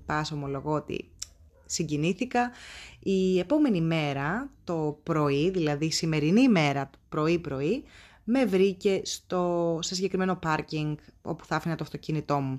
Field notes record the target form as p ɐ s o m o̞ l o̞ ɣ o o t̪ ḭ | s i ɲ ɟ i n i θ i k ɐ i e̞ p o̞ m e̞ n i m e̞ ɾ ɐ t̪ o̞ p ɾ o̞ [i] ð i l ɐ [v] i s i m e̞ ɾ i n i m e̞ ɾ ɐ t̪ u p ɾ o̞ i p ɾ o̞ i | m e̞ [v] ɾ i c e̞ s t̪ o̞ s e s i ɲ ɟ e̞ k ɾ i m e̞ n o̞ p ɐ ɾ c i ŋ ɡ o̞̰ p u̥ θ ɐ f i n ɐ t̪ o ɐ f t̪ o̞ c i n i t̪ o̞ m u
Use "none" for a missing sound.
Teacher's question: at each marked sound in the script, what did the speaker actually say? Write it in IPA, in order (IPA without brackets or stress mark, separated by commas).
i, ð, v